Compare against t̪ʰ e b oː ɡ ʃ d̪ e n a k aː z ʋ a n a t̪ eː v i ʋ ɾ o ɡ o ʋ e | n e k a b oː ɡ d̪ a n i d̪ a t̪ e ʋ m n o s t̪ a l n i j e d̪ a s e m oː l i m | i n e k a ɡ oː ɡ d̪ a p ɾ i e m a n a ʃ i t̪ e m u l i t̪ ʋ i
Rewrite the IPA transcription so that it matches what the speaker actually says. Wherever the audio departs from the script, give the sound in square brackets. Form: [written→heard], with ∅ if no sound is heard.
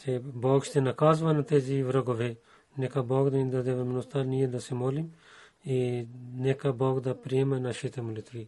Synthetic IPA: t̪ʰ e b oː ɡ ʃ [d̪→t̪] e n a k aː z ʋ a n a t̪ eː [v→z] i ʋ ɾ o ɡ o ʋ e | n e k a b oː ɡ d̪ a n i d̪ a [t̪→d̪] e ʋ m n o s t̪ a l n i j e d̪ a s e m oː l i m | i n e k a [ɡ→b] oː ɡ d̪ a p ɾ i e m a n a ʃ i t̪ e m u l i t̪ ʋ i